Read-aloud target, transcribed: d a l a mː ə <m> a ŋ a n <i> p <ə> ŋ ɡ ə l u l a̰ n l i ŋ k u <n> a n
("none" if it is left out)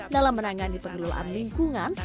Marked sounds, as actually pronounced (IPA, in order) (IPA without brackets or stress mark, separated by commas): n, i, ə, ŋ